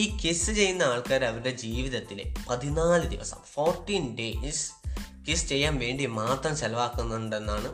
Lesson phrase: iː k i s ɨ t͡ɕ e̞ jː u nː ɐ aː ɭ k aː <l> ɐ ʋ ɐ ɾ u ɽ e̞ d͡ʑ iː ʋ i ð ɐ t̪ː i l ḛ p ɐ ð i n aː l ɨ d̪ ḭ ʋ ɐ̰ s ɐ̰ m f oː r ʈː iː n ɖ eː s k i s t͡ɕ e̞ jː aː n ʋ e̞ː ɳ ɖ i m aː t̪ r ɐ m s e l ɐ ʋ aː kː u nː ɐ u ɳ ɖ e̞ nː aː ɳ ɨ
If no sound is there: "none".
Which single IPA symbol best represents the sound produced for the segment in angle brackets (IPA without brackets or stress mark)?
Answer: ɾ